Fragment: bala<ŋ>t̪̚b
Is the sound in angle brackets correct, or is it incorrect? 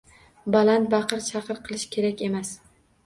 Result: incorrect